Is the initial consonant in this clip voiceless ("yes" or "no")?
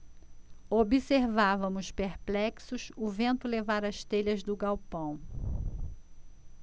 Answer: no